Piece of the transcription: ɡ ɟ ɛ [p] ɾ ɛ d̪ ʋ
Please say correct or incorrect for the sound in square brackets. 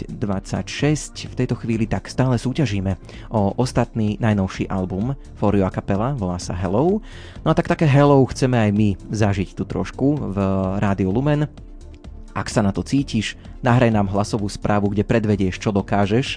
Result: correct